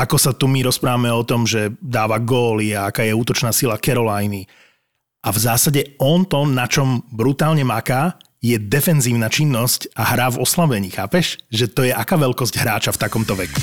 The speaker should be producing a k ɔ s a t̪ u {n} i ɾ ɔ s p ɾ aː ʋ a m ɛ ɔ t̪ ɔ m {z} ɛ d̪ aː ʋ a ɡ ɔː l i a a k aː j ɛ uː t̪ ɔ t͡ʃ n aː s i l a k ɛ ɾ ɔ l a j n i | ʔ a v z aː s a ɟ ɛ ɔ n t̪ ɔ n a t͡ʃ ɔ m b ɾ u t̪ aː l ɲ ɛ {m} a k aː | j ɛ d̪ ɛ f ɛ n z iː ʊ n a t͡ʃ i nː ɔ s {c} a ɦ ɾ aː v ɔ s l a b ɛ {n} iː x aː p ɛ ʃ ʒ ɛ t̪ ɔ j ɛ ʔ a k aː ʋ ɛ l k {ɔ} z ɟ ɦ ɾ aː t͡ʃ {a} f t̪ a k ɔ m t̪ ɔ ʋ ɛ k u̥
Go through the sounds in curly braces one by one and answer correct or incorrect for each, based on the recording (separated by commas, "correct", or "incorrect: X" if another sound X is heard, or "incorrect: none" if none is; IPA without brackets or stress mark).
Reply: incorrect: m, incorrect: ʒ, correct, correct, incorrect: ɲ, correct, correct